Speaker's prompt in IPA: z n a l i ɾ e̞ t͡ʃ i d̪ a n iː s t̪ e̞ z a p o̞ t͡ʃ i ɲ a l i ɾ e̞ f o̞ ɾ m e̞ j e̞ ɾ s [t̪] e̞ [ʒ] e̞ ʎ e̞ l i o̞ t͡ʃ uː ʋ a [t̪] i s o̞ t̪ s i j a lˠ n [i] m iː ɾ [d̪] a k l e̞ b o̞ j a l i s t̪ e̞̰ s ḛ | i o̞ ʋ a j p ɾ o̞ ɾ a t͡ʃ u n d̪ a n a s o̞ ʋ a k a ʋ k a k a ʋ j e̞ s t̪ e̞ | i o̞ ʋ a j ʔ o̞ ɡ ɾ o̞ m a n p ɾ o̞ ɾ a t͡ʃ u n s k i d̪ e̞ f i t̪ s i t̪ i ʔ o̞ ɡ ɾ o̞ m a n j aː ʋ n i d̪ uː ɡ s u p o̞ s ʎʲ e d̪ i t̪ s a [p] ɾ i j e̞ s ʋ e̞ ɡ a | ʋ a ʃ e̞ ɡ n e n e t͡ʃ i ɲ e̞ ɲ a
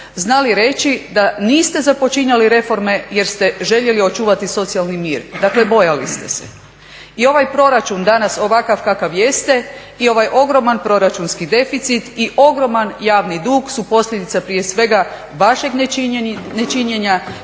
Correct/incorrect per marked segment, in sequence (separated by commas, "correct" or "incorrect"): correct, correct, correct, correct, correct, correct